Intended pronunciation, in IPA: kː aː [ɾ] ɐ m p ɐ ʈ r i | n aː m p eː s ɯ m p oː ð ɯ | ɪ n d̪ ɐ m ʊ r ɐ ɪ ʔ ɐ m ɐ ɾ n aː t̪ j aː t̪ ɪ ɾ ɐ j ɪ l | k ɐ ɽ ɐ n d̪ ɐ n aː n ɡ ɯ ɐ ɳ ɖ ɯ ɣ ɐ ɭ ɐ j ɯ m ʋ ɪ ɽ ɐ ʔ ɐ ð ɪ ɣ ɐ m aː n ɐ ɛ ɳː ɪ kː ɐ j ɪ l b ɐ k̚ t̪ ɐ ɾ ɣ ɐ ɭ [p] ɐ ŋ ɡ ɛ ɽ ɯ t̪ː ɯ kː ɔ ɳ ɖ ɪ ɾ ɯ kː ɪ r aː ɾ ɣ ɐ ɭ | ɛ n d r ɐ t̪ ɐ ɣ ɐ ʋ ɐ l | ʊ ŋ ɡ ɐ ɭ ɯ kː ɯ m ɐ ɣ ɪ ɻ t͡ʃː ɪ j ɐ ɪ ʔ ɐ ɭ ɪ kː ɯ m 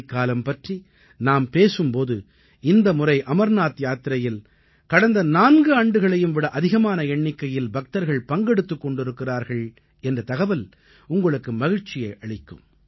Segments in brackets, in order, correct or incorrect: incorrect: l, correct

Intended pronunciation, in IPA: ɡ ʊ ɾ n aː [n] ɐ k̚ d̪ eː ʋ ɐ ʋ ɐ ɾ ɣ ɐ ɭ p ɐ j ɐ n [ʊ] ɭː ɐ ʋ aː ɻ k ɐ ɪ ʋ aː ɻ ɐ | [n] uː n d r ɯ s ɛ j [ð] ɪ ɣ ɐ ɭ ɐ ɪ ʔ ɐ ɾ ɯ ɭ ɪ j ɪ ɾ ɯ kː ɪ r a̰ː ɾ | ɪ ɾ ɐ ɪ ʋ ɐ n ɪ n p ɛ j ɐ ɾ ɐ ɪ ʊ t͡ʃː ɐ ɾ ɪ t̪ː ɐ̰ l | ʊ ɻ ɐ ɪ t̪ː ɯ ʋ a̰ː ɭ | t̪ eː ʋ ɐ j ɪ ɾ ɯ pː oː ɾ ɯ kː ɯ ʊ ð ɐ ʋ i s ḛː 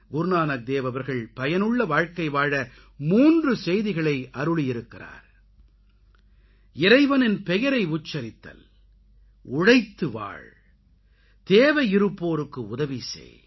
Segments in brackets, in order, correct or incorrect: correct, incorrect: ɯ, incorrect: m, correct

